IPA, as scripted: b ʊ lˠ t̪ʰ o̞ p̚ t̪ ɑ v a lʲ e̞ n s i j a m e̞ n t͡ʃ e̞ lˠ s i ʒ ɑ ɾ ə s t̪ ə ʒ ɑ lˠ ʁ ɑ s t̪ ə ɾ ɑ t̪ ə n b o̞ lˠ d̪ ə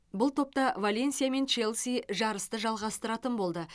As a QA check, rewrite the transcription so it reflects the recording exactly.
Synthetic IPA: b ʊ lˠ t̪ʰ o̞ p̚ t̪ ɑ v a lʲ e̞ n s i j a m e̞ n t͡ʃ e̞ lˠ s i ʒ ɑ ɾ ə s t̪ ə ʒ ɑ lˠ ʁ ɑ s t̪ ə ɾ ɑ t̪ ə n b o̞ lˠ d̪ ə